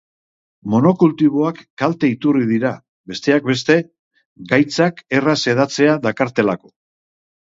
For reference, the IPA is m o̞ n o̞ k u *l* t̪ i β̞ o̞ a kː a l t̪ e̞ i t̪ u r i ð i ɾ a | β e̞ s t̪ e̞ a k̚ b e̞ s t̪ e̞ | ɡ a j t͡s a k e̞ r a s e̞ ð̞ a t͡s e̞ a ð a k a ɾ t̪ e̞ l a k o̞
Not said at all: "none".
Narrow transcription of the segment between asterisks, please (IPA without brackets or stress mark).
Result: l